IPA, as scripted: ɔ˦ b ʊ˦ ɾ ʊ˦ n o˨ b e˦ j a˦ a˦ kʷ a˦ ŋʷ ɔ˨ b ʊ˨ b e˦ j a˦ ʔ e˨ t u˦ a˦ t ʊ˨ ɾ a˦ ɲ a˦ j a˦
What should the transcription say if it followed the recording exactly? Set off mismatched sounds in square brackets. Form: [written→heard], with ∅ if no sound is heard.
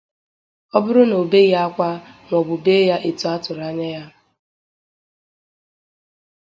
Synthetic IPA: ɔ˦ b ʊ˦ ɾ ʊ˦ n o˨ b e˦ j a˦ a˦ kʷ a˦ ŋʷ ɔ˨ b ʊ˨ b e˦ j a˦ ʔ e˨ t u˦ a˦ t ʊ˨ ɾ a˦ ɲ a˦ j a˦